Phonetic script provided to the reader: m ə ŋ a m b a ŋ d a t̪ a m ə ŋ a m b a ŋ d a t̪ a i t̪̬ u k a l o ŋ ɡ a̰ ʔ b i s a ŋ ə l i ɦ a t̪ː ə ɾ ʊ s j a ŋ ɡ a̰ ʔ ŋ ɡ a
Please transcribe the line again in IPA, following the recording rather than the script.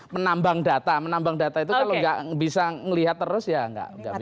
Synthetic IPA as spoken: m ə n a m b a ŋ d a t̪ a m ə n a m b a ŋ d a t̪ a i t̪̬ u k a l o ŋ ɡ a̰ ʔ b i s a ŋ ə l i ɦ a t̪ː ə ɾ ʊ s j a ŋ ɡ a̰ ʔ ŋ ɡ a